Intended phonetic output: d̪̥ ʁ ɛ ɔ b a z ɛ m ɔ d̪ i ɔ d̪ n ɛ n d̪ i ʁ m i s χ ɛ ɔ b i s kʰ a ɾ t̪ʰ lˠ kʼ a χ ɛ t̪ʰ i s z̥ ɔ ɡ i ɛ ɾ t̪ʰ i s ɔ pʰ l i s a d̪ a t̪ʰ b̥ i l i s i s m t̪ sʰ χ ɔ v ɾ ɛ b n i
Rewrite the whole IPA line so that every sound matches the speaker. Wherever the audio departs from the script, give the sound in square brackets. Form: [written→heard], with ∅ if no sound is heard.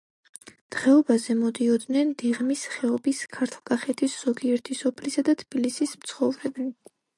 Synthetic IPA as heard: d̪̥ ʁ ɛ ɔ b a z ɛ m ɔ d̪ i ɔ d̪ n ɛ n d̪ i ʁ m i s χ ɛ ɔ b i s kʰ a ɾ t̪ʰ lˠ kʼ a χ ɛ t̪ʰ i s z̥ ɔ ɡ i ɛ ɾ t̪ʰ i s ɔ pʰ l i s a d̪ a t̪ʰ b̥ i l i s i s m t̪ sʰ χ ɔ v ɾ ɛ b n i